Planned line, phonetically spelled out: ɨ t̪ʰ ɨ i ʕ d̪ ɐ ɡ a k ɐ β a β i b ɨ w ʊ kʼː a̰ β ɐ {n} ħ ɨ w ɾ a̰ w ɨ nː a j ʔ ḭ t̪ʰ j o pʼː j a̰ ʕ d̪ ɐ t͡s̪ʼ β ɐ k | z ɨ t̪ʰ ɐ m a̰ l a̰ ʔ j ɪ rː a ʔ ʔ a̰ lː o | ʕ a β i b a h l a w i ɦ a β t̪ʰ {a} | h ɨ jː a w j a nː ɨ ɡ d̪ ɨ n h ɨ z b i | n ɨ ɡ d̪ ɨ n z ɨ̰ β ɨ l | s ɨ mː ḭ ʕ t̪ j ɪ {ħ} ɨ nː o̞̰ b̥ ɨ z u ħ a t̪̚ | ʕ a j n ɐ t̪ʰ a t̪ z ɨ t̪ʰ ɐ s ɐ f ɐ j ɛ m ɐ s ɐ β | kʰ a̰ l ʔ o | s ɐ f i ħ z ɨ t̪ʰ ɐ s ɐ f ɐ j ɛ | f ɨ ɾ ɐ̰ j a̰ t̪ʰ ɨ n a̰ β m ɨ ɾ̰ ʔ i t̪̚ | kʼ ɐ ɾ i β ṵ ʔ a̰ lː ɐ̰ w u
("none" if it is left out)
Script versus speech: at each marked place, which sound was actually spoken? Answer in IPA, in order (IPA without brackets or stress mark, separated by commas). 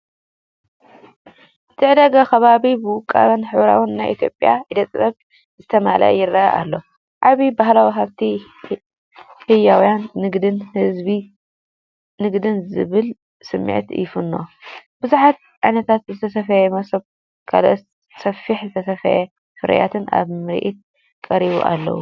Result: n, i, f